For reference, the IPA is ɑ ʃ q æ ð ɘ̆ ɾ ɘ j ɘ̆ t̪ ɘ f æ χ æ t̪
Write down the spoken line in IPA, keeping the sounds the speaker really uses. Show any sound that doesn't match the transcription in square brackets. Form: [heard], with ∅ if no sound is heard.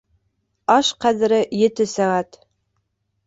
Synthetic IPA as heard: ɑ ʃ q æ ð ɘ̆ ɾ ɘ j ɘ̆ t̪ ɘ [s] æ [ʁ] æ t̪